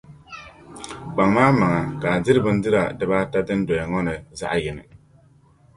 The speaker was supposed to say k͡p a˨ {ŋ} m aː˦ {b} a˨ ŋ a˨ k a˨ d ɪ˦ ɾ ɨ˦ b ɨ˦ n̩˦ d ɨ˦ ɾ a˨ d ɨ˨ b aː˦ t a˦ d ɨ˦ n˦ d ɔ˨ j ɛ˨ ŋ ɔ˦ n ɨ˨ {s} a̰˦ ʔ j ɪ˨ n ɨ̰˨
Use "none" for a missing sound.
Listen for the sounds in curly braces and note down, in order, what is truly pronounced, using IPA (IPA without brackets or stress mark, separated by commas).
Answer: ŋ, m, z